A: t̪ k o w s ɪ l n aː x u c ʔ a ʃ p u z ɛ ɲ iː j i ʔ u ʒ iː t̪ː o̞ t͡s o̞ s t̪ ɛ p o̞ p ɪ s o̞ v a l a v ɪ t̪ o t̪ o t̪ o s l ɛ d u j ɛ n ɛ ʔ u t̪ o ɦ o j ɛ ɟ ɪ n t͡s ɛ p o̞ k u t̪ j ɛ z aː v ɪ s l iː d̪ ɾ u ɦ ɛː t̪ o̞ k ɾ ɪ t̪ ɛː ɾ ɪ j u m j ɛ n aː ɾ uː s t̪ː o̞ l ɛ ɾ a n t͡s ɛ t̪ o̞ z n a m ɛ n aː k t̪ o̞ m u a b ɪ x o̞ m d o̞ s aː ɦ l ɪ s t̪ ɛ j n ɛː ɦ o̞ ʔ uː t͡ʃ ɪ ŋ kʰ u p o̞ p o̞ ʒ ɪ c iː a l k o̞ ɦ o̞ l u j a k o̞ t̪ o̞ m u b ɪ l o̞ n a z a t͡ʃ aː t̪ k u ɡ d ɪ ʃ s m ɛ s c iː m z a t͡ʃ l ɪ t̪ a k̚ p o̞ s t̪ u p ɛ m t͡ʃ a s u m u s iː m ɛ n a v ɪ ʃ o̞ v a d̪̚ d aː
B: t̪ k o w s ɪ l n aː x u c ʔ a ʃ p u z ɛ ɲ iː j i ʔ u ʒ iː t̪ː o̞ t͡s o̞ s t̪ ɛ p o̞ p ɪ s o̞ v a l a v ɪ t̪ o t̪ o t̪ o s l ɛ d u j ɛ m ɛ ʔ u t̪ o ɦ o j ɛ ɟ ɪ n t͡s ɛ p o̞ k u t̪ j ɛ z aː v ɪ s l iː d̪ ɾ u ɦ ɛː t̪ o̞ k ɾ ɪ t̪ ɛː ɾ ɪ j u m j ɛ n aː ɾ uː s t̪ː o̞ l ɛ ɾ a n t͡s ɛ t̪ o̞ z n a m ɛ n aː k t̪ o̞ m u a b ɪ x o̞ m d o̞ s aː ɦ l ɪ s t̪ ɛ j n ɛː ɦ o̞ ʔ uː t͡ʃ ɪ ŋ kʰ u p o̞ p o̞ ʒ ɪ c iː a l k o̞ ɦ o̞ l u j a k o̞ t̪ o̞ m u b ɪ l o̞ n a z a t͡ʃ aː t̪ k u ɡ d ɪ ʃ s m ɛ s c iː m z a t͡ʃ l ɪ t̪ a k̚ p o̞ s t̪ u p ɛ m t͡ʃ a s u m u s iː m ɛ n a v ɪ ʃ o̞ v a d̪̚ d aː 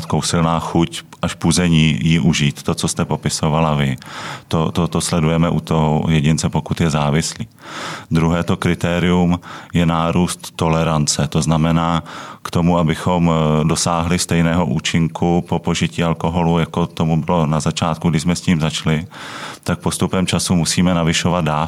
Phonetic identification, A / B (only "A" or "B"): B